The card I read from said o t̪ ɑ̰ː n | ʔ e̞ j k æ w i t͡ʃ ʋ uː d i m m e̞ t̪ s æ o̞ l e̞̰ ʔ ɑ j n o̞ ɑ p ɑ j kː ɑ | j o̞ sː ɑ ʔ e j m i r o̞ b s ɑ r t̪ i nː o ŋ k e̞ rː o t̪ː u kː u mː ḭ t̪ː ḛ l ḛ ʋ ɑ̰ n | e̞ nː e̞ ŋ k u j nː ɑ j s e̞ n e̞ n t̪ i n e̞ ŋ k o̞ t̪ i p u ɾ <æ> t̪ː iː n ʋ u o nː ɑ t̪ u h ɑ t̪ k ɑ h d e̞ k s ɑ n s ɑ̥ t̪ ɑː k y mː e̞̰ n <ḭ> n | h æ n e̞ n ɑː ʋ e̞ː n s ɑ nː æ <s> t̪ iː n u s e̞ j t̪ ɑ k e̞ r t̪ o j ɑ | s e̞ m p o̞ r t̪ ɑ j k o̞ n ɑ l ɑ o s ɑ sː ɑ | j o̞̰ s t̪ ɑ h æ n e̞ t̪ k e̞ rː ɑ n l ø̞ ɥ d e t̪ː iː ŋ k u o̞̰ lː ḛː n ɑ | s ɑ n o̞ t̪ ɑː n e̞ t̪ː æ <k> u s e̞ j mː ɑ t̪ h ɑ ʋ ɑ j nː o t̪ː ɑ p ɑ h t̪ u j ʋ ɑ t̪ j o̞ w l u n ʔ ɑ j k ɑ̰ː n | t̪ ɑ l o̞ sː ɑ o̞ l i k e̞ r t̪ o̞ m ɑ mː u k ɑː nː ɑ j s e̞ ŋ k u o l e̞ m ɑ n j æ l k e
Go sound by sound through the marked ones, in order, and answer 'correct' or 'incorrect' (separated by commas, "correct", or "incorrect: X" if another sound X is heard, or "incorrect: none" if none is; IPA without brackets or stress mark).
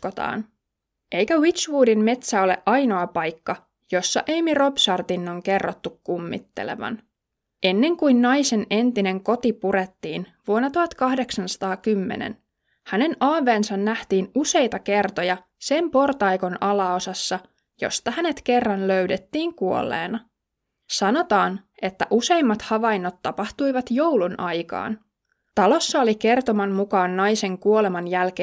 incorrect: e, incorrect: ḛ, incorrect: h, incorrect: ʔ